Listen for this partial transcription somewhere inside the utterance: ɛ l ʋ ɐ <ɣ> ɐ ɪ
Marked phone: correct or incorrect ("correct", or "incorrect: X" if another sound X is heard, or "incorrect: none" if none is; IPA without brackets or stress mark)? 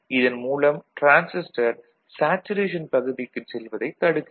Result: incorrect: ð